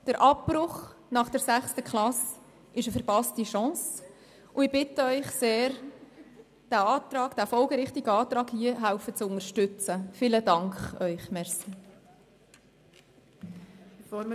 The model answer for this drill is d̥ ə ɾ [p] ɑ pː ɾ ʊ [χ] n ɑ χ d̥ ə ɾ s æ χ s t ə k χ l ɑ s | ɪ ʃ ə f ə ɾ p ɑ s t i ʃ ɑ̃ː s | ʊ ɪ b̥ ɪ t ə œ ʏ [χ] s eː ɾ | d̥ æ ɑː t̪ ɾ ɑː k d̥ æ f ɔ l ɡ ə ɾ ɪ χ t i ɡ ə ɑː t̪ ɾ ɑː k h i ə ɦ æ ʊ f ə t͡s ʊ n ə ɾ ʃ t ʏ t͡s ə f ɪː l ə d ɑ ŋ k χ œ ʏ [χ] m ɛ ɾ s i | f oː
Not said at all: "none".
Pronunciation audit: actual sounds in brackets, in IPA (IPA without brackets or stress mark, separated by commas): ʔ, χ, χ, χ